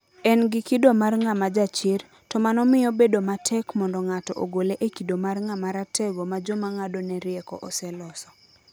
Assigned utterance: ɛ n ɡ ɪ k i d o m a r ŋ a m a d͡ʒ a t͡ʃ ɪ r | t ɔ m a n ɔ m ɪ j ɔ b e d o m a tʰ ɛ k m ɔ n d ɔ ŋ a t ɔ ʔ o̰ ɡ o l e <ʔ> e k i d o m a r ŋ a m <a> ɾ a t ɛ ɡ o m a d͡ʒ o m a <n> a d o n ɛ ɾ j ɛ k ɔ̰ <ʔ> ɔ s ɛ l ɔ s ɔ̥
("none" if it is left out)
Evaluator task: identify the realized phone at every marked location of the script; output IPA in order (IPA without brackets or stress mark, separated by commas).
ʔ, a, ŋ, ʔ